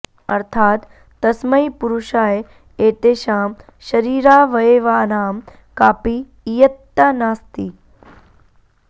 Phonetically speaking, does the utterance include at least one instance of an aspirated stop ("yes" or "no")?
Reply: yes